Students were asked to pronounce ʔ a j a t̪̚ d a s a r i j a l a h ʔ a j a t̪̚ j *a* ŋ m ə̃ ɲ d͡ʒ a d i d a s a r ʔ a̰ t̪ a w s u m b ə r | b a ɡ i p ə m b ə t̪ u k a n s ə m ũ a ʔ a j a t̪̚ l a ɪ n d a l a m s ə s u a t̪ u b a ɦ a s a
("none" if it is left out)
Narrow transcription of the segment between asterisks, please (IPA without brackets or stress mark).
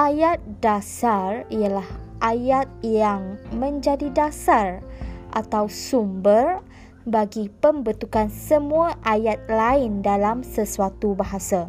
a